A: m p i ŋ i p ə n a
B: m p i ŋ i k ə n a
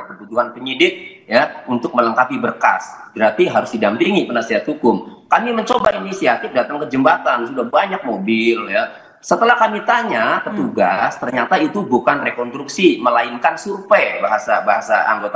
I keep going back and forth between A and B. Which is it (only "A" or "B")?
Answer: A